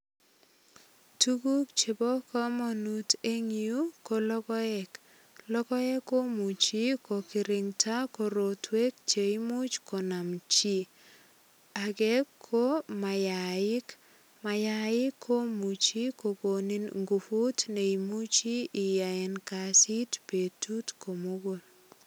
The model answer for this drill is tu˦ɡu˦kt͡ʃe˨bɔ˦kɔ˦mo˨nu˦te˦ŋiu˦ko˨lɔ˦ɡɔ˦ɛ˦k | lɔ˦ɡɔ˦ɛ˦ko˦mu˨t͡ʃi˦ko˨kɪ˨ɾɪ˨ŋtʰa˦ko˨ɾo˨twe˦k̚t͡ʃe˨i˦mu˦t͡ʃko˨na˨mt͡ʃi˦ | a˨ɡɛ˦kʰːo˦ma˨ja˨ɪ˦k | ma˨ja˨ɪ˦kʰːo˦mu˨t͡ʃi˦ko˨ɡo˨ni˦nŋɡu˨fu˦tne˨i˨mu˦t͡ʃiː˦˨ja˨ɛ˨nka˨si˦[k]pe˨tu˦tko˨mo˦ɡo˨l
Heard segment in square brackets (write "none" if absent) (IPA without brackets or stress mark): t